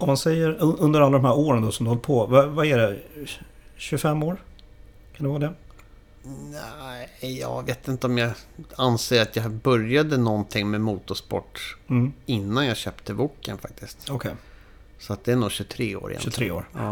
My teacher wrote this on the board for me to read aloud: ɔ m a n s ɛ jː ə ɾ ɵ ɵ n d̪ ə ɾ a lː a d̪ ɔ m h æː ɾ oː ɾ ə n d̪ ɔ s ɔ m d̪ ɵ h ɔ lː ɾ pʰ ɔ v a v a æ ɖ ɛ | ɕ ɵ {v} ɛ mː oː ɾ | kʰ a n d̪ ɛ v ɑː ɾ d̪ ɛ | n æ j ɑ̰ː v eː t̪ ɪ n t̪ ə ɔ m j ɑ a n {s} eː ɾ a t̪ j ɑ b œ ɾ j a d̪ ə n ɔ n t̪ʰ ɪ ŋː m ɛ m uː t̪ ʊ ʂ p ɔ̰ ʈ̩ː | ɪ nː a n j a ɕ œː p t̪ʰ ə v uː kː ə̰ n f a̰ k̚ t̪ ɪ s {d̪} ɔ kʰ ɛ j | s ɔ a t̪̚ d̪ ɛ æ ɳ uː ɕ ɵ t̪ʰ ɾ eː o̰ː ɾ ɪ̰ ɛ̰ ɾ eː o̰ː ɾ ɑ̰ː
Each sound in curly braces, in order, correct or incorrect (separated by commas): incorrect, correct, incorrect